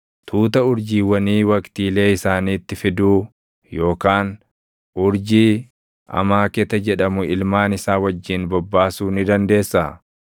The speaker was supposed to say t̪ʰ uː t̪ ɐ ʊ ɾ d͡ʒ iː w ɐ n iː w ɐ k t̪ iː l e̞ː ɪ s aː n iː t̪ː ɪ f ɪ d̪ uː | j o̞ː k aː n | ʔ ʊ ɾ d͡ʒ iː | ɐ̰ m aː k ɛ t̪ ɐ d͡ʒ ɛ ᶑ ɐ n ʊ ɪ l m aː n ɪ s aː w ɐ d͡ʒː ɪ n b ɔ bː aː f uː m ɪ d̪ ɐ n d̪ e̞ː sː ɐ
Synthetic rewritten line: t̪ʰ uː t̪ ɐ ʊ ɾ d͡ʒ iː w ɐ n iː w ɐ k t̪ iː l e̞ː ɪ s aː n iː t̪ː ɪ f ɪ d̪ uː | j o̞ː k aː n | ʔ ʊ ɾ d͡ʒ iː | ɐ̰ m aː k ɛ t̪ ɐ d͡ʒ ɛ ᶑ ɐ m ʊ ɪ l m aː n ɪ s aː w ɐ d͡ʒː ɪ n b ɔ bː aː s uː n ɪ d̪ ɐ n d̪ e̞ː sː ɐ

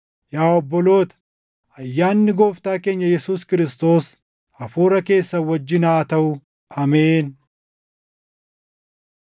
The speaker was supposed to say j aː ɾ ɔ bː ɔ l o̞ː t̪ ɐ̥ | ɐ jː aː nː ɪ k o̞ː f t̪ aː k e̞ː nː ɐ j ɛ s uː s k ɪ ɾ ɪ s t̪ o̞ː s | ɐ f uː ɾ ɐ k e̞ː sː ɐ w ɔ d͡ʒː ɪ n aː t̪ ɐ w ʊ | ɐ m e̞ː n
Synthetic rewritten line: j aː ɔ bː ɔ l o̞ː t̪ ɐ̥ | ɐ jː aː nː ɪ ɡ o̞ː f t̪ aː k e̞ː ɲː ɐ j ɛ s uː s k ɪ ɾ ɪ s t̪ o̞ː s | ɐ f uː ɾ ɐ k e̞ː sː ɐ w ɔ d͡ʒː ɪ n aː t̪ ɐ w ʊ | ɐ m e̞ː n

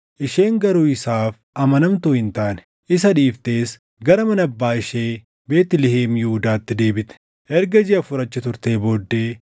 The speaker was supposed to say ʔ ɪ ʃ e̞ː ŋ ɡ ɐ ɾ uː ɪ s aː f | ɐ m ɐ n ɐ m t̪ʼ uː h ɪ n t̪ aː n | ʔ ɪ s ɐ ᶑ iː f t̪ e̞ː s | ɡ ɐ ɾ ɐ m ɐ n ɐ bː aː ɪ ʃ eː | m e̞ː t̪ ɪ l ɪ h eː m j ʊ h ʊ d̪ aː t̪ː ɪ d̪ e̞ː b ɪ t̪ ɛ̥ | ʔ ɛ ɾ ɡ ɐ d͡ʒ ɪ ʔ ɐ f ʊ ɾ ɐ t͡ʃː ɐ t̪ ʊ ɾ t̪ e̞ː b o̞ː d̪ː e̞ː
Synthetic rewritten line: ʔ ɪ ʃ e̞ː ŋ ɡ ɐ ɾ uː ɪ s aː f | ɐ m ɐ n ɐ m t̪ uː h ɪ n t̪ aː n | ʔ ɪ s ɐ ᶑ iː f t̪ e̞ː s | ɡ ɐ ɾ ɐ m ɐ n ɐ bː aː ɪ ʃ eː | b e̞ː t̪ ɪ l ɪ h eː m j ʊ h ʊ d̪ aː t̪ː ɪ d̪ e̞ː b ɪ t̪ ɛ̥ | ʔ ɛ ɾ ɡ ɐ d͡ʒ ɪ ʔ ɐ f ʊ ɾ ɐ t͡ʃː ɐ t̪ ʊ ɾ t̪ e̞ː b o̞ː d̪ː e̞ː

